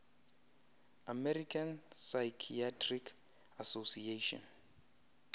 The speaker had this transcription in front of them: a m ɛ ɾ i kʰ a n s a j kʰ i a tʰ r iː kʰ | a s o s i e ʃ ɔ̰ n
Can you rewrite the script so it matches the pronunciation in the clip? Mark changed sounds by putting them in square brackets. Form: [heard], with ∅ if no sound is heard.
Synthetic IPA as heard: a m ɛ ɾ i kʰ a n s a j kʰ i a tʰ r [i] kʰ | a s o s i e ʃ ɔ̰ n